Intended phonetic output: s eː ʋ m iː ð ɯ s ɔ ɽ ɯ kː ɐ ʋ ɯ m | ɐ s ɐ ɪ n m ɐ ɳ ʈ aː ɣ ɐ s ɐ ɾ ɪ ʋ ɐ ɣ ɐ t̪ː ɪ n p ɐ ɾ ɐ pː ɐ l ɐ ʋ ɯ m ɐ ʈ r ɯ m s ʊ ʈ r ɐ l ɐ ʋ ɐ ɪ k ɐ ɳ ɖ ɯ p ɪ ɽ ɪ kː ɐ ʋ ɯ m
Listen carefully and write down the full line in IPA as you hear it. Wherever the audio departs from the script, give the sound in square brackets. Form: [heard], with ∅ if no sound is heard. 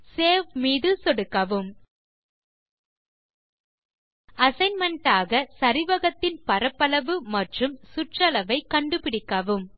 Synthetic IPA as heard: s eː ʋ m iː ð ɯ s ɔ ɽ ɯ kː ɐ ʋ ɯ m | ɐ s ɐ ɪ n m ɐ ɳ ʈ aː ɣ ɐ s ɐ ɾ ɪ ʋ ɐ ɣ ɐ t̪ː ɪ n p ɐ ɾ ɐ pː ɐ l ɐ ʋ ɯ m ɐ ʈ r ɯ m s ʊ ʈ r ɐ l ɐ ʋ ɐ ɪ k ɐ ɳ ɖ ɯ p ɪ ɽ ɪ kː ɐ ʋ ɯ m